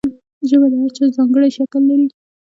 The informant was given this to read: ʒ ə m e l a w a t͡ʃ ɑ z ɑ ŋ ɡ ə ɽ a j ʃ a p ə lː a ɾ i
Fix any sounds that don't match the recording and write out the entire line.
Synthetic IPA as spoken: ʒ ə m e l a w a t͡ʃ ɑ z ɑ ŋ ɡ ə ɽ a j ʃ a k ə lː a ɾ i